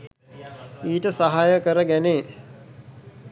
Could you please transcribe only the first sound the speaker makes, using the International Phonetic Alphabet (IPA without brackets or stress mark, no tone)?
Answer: iː